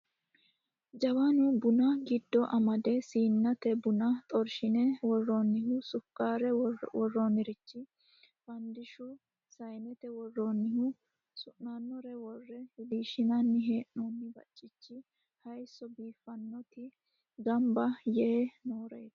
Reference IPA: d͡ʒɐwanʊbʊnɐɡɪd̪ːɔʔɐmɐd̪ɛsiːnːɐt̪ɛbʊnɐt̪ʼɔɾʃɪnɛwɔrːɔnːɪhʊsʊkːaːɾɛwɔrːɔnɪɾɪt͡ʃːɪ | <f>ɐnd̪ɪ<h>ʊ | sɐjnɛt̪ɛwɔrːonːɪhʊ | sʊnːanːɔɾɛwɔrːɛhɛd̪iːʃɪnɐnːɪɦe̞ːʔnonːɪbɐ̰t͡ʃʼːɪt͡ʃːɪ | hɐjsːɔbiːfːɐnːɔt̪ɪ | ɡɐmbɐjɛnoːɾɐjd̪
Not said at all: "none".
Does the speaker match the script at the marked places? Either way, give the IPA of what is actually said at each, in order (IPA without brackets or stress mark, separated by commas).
f, ʃ